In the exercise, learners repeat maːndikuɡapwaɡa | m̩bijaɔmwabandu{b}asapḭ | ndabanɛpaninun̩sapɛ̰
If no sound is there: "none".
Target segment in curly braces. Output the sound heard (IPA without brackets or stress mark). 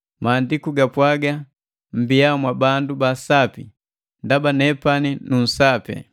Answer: b